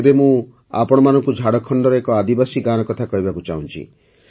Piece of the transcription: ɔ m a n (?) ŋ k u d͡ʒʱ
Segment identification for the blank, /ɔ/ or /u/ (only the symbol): ɔ